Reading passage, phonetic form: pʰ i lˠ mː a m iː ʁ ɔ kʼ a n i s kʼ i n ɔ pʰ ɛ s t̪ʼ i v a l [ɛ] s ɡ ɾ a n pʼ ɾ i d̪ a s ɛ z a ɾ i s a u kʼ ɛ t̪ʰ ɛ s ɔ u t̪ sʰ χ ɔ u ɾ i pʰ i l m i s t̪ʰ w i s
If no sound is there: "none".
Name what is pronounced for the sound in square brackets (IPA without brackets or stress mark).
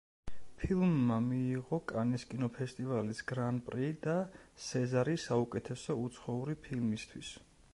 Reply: i